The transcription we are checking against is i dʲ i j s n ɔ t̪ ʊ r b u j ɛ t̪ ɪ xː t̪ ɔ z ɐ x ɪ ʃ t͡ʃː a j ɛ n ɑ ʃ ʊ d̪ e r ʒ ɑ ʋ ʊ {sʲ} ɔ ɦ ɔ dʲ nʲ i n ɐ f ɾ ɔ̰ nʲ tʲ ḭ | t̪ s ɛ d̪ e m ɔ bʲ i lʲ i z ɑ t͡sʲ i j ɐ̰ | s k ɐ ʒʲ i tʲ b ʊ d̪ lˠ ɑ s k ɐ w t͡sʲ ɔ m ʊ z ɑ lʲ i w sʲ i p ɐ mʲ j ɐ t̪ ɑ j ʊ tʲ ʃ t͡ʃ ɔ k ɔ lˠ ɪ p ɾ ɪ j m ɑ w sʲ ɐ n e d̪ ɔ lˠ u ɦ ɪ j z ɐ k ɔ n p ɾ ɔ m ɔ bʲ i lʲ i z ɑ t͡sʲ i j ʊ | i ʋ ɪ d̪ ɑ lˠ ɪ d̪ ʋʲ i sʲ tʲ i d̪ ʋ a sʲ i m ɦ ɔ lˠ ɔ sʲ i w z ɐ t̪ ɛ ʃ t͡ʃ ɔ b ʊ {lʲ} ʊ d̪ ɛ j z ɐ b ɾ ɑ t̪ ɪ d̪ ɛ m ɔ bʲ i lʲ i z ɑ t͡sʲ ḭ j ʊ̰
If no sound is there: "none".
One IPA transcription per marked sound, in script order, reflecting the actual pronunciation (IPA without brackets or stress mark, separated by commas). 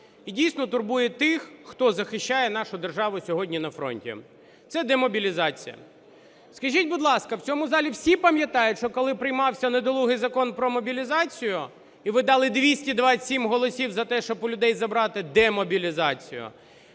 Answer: sʲ, lʲ